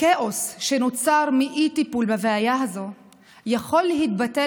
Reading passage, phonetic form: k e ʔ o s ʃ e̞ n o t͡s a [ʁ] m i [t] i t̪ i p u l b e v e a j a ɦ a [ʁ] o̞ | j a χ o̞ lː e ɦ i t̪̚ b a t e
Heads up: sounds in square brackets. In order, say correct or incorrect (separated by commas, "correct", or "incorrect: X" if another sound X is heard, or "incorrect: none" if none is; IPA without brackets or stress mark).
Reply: correct, incorrect: ʔ, incorrect: z